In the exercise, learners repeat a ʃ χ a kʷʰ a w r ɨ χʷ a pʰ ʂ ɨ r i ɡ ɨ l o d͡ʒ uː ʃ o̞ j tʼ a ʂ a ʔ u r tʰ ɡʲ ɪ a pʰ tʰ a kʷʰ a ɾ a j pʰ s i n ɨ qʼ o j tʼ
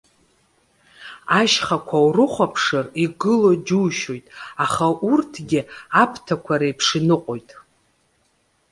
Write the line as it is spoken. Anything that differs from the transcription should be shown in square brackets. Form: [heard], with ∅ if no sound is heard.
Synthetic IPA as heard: a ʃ χ a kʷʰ a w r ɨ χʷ a pʰ ʂ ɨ r i ɡ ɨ l o d͡ʒ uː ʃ o̞ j tʼ a [χ] a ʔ u r tʰ ɡʲ ɪ a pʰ tʰ a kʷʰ a ɾ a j pʰ [ʂ] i n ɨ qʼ o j tʼ